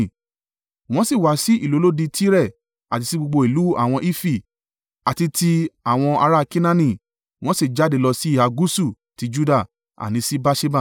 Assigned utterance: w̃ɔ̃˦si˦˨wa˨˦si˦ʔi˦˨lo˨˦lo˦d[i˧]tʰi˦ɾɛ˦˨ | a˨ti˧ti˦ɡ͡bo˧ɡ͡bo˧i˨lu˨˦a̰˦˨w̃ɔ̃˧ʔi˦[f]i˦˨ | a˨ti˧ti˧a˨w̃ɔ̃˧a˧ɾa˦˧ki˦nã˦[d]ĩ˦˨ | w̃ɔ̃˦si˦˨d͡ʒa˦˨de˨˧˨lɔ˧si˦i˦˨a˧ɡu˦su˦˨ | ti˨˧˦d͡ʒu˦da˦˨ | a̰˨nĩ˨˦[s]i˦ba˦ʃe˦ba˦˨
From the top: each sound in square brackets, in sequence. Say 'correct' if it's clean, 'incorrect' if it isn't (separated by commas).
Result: correct, correct, incorrect, correct